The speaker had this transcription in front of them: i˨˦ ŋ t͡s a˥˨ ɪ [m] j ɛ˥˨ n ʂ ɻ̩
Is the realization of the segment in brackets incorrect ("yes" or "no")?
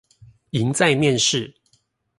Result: no